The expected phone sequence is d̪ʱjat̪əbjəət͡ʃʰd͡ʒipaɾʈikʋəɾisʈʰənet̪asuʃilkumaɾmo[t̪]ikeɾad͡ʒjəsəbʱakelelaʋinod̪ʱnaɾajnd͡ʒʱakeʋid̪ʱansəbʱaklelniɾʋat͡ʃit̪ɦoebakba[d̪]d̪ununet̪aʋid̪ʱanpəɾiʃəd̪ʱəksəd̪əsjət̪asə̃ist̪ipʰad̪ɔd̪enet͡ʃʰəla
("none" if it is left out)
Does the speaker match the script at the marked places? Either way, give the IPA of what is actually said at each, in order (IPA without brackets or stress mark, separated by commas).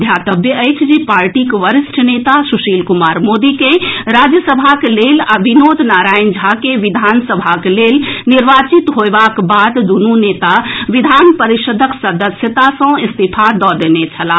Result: d̪, d̪